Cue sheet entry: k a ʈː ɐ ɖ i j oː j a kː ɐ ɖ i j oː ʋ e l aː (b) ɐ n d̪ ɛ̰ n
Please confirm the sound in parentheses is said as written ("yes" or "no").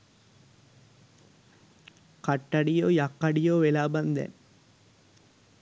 yes